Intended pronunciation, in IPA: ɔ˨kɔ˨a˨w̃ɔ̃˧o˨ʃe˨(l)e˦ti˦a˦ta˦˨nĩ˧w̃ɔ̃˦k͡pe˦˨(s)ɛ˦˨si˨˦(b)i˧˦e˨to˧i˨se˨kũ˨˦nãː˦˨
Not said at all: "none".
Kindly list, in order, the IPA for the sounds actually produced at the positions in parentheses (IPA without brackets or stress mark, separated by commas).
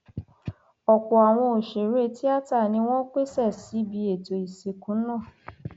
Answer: ɾ, s, b